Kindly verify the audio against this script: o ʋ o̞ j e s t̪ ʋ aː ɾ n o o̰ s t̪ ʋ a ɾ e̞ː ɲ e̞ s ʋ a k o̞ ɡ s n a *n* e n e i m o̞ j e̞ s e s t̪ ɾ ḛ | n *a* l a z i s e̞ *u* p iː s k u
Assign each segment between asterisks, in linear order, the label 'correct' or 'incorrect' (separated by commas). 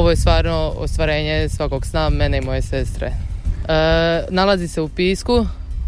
incorrect, correct, correct